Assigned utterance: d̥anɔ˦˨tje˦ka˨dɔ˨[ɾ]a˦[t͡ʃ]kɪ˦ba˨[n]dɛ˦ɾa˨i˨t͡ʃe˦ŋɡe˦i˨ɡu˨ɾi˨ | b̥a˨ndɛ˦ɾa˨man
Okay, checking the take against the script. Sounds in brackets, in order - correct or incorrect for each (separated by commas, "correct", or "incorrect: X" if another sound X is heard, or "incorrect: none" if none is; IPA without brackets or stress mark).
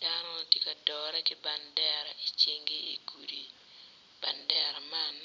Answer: correct, incorrect: none, correct